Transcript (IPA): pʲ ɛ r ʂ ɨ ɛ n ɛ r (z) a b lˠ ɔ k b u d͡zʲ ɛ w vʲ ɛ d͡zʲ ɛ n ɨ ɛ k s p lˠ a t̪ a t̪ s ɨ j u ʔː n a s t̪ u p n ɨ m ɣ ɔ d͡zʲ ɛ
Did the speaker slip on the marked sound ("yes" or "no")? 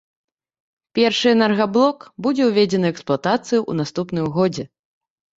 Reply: yes